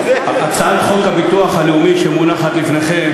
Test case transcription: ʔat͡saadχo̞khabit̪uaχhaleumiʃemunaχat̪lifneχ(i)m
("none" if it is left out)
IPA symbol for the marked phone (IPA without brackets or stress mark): e